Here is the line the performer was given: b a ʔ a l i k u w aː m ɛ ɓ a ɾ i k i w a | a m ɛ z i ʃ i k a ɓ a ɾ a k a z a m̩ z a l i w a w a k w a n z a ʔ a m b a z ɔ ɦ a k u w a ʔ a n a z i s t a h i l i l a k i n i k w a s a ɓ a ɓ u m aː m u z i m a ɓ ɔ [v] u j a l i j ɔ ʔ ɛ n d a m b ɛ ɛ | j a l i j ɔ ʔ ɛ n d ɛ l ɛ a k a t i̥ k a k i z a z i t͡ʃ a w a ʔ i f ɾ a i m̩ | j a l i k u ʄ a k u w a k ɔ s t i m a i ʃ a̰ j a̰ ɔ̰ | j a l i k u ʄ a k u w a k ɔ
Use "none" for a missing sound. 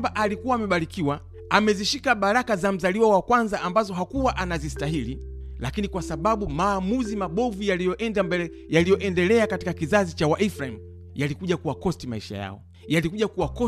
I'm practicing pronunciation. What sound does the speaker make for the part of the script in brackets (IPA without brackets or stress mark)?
v